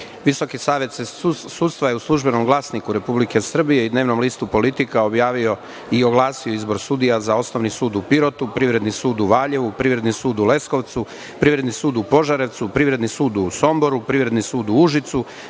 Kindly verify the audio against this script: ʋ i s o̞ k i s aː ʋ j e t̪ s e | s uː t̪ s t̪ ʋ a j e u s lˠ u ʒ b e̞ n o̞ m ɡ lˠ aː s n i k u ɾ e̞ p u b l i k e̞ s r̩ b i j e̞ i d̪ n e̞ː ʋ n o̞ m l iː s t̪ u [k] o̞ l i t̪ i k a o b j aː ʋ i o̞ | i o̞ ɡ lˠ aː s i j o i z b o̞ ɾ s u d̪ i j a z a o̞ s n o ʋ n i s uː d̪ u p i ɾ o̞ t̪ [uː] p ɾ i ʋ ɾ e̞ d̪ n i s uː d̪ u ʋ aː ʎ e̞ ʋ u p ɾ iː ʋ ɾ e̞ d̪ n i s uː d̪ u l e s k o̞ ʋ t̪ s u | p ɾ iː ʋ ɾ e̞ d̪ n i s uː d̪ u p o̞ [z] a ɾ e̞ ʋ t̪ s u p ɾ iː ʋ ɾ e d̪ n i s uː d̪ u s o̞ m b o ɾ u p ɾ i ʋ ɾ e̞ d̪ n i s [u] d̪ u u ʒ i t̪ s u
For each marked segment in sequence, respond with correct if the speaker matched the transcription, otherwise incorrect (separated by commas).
incorrect, incorrect, incorrect, incorrect